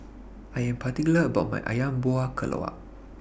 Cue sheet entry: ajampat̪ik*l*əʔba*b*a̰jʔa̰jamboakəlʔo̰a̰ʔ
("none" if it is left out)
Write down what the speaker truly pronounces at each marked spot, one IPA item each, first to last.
l, m

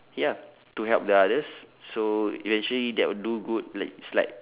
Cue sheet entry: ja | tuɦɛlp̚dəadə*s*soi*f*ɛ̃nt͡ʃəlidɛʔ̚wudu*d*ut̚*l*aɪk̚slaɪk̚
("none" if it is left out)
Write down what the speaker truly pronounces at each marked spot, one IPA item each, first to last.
s, v, ɡ, l

